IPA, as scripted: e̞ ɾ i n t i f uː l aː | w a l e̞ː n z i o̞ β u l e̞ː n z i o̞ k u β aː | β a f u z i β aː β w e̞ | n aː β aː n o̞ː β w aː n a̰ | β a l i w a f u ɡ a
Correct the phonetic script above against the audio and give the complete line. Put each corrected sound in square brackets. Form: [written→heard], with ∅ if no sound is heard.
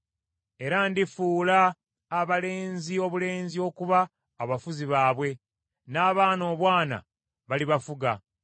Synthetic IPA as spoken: e̞ ɾ [i→a] n [t→d] i f uː l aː | [w→β] a l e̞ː n z i o̞ β u l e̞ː n z i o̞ k u β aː | β a f u z i β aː β w e̞ | n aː β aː n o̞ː β w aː n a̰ | β a l i [w→β] a f u ɡ a